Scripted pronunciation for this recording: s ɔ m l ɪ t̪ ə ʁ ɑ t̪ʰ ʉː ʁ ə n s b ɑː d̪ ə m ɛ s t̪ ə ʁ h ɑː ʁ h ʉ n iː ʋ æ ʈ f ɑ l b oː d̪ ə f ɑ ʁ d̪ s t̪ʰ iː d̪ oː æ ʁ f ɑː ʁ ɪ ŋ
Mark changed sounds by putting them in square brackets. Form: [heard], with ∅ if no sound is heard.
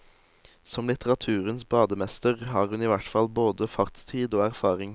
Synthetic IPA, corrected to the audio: s ɔ m l ɪ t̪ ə ʁ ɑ t̪ʰ ʉː ʁ ə n s b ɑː d̪ ə m ɛ s t̪ ə ʁ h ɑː ʁ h ʉ n iː ʋ æ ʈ f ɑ l b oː d̪ ə f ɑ ʁ [t̪] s t̪ʰ iː d̪ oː æ ʁ f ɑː ʁ ɪ ŋ